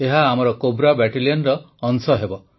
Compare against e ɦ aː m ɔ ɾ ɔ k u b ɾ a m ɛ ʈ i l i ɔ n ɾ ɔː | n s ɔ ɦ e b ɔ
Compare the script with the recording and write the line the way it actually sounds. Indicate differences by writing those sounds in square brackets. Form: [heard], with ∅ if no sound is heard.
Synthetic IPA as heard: e ɦ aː m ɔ ɾ ɔ k [o] b ɾ a [b] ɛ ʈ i l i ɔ n ɾ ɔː | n s ɔ ɦ e b ɔ